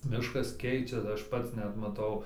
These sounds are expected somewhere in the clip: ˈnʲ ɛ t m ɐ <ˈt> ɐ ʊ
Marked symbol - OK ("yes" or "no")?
yes